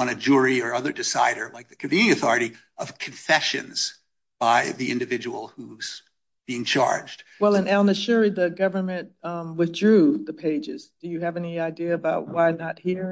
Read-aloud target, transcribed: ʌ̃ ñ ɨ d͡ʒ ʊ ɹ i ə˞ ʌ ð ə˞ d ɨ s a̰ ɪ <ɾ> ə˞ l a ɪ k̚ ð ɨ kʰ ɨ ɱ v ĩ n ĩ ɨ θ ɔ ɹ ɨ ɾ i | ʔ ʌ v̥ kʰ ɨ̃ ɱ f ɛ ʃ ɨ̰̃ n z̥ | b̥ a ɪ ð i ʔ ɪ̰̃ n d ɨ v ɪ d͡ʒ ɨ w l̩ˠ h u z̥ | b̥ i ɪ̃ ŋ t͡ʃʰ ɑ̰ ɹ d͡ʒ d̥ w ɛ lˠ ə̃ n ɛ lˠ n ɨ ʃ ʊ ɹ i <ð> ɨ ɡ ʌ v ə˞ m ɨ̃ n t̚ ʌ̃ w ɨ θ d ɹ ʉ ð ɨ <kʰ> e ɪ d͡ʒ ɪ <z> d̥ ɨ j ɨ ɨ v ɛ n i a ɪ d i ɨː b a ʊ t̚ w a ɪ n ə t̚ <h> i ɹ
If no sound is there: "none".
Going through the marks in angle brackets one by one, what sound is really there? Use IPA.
ɾ, ð, pʰ, z, h

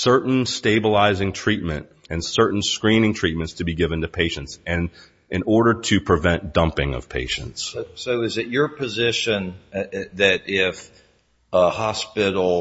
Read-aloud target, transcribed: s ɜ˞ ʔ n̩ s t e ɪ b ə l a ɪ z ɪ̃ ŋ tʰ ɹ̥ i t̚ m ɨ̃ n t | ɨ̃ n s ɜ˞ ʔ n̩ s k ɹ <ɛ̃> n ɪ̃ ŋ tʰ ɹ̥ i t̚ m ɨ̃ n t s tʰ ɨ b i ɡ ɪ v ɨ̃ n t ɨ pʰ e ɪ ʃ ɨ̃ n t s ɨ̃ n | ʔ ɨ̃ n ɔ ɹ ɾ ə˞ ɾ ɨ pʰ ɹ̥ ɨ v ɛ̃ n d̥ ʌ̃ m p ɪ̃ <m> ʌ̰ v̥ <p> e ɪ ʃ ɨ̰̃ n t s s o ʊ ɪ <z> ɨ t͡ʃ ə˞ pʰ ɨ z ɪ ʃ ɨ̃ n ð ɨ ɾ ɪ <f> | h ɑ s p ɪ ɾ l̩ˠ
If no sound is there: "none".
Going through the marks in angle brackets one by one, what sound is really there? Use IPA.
ĩ, ŋ, pʰ, z, f

